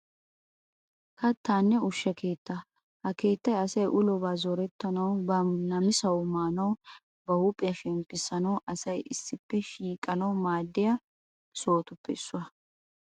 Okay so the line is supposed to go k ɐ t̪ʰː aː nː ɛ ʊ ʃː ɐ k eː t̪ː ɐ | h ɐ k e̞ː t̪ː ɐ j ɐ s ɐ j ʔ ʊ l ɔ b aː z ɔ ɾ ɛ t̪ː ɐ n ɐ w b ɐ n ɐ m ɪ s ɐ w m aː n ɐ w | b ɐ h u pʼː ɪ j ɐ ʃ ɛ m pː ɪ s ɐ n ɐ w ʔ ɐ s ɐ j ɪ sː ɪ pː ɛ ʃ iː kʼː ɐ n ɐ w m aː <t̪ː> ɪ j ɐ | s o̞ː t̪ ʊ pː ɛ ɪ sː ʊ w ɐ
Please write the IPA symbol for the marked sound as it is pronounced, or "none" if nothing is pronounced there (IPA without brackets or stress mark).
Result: d̪ː